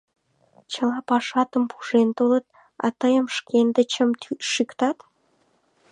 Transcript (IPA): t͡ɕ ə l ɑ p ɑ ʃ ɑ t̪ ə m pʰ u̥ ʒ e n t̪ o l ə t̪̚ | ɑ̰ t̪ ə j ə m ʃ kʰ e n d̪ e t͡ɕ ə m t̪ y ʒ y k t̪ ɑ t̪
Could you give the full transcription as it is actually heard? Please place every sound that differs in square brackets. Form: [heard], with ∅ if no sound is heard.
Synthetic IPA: t͡ɕ ə l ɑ p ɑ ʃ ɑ t̪ ə m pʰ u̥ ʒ e n t̪ o l ə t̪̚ | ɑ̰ t̪ ə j ə m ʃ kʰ e n d̪ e t͡ɕ ə m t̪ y [ʃ] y k t̪ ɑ t̪